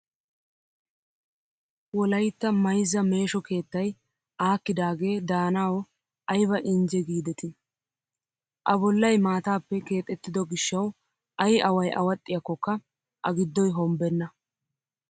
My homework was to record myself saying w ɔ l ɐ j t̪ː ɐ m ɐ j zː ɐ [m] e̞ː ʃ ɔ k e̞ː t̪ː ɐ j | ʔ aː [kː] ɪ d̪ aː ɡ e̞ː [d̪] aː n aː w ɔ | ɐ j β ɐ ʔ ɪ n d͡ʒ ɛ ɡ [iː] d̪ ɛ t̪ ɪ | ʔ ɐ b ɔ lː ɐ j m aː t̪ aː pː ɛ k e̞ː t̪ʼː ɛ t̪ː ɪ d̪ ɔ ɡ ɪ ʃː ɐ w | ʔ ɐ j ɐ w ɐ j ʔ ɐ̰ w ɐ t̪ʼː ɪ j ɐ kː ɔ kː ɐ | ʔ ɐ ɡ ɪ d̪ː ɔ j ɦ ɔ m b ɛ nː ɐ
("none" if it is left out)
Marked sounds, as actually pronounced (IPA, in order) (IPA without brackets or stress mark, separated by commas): m, kː, d̪, iː